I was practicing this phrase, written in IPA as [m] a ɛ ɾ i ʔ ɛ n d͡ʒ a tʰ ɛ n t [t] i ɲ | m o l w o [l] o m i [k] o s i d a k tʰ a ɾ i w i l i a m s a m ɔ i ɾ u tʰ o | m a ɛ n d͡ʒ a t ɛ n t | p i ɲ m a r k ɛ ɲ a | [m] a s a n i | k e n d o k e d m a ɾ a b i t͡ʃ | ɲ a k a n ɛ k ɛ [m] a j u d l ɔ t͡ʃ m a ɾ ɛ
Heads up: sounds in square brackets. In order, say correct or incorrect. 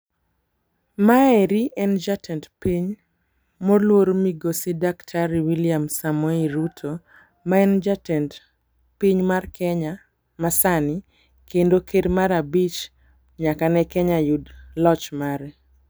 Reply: correct, incorrect, incorrect, incorrect, correct, incorrect

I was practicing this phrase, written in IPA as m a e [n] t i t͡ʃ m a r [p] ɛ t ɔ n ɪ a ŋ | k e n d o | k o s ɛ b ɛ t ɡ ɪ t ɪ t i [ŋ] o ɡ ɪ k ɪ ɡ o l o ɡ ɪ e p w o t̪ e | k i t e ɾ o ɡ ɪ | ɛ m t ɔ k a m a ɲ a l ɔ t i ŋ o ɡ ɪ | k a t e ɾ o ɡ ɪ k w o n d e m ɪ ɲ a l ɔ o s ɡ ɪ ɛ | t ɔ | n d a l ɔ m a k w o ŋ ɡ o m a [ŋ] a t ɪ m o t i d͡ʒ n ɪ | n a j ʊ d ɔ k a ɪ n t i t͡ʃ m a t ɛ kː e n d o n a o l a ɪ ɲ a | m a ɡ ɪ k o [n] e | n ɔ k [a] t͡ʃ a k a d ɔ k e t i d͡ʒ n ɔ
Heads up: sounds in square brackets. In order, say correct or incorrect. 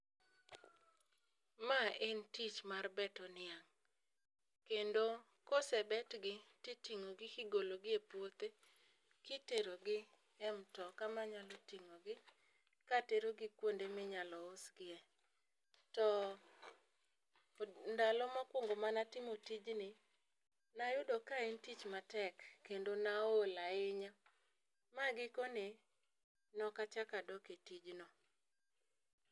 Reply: correct, incorrect, correct, incorrect, correct, correct

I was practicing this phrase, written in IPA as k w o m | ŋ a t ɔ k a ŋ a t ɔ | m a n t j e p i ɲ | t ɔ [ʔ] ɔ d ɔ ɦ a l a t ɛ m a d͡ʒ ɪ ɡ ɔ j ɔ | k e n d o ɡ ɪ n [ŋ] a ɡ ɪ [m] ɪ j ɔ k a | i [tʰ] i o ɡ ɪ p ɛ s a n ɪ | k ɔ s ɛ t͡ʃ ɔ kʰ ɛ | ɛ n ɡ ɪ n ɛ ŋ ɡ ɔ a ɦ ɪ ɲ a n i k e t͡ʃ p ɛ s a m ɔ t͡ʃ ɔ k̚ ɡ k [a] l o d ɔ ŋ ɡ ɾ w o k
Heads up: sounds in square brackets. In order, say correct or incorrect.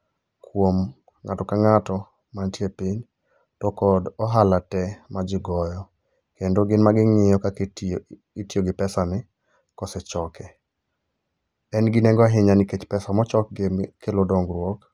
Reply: incorrect, incorrect, incorrect, incorrect, incorrect

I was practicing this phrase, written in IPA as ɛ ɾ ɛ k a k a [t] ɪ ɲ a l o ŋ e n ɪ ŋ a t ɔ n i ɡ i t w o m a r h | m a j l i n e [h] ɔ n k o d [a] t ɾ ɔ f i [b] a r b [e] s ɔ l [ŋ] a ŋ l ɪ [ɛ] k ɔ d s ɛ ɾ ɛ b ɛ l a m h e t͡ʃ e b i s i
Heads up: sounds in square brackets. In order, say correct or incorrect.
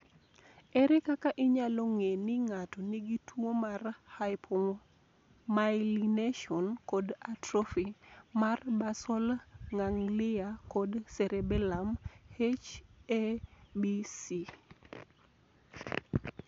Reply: incorrect, incorrect, correct, incorrect, incorrect, correct, incorrect

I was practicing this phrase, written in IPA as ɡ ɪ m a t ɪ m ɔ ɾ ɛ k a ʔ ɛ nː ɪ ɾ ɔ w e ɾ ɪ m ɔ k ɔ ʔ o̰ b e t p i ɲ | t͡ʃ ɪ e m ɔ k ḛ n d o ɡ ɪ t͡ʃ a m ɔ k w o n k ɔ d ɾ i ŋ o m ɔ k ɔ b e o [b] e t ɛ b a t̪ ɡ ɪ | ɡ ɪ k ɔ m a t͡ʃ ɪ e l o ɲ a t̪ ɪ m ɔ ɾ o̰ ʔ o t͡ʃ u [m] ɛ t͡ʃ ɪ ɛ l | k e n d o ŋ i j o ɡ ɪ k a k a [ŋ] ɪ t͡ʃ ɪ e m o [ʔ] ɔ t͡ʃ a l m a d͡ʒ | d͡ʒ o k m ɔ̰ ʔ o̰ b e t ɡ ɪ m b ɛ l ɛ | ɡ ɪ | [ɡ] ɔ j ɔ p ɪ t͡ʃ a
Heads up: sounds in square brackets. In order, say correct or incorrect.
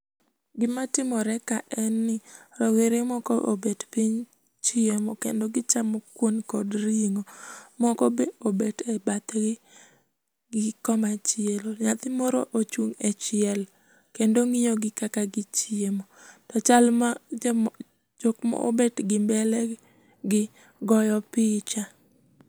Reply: correct, incorrect, incorrect, incorrect, correct

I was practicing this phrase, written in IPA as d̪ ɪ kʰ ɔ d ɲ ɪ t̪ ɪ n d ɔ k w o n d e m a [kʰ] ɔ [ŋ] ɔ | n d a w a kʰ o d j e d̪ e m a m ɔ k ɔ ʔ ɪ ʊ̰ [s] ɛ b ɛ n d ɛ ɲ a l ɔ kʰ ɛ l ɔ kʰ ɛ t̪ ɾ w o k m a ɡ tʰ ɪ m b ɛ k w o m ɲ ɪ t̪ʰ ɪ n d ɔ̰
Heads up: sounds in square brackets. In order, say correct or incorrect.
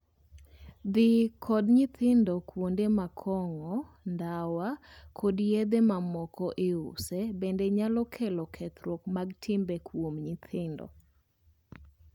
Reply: correct, correct, correct

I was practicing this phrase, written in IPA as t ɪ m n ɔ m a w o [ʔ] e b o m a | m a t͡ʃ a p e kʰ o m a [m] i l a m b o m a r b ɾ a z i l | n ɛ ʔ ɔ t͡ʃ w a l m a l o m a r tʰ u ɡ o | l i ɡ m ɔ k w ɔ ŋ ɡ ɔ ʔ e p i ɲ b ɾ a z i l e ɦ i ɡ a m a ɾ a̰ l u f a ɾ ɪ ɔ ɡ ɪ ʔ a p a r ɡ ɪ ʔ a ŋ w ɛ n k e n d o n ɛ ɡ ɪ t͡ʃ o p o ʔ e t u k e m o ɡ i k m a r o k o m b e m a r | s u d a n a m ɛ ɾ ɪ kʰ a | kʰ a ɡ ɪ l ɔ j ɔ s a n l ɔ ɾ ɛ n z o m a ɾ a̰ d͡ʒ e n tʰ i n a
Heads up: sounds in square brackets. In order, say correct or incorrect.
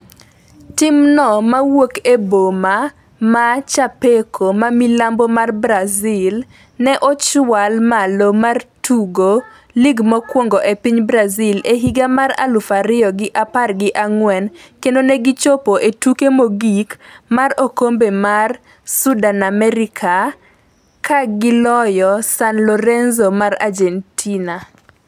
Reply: incorrect, correct

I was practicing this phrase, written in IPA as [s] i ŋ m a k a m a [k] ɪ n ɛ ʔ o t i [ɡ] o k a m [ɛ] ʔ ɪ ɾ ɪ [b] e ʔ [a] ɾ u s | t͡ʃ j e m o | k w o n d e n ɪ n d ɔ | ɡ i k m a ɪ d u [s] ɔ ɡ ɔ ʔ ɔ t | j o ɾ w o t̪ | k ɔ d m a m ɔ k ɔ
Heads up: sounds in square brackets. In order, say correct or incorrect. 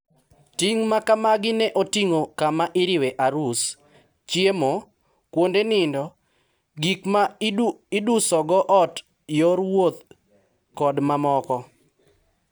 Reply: incorrect, incorrect, incorrect, incorrect, incorrect, correct, correct

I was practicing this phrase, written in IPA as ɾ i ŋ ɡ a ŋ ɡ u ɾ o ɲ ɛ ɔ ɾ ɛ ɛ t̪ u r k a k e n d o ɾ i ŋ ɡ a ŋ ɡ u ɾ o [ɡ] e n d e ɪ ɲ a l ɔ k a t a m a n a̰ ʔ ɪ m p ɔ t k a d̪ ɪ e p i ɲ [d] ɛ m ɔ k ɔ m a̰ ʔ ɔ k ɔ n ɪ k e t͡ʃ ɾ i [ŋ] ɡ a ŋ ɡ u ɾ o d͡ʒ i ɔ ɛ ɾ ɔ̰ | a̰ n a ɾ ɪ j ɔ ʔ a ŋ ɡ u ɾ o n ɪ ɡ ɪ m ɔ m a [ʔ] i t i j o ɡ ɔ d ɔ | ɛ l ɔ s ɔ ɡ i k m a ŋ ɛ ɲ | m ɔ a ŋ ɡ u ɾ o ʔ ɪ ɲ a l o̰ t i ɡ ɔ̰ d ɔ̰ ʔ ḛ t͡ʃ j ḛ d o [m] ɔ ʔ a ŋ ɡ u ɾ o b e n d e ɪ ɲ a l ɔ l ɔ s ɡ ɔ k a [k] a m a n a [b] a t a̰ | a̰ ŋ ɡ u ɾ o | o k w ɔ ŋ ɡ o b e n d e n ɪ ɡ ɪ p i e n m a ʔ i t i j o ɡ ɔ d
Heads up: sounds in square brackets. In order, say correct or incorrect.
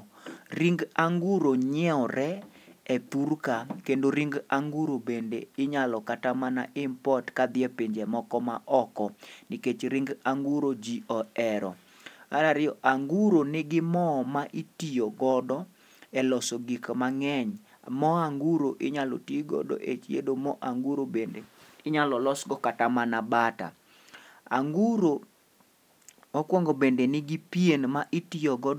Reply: incorrect, incorrect, correct, correct, correct, incorrect, correct

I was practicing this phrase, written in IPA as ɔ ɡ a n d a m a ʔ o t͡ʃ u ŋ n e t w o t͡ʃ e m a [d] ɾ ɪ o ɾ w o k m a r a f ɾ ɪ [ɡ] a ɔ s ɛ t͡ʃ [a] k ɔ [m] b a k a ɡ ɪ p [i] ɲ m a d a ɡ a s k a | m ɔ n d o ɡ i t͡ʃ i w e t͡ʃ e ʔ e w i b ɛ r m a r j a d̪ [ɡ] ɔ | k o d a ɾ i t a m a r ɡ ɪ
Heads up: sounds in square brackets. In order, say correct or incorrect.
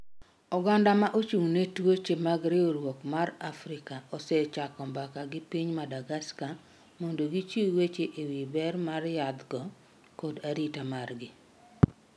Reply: incorrect, incorrect, correct, correct, correct, correct

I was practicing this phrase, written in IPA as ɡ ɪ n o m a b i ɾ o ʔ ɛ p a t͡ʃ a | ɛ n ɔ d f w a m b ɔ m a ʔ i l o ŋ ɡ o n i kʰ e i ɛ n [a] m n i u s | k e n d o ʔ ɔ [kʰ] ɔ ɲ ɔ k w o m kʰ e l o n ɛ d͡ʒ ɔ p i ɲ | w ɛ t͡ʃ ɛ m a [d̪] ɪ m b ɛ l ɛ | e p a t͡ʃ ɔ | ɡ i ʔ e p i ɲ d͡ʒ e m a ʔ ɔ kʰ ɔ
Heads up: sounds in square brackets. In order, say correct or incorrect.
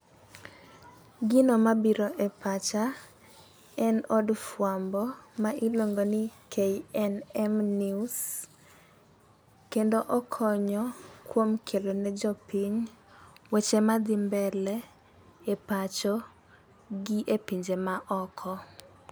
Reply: incorrect, correct, correct

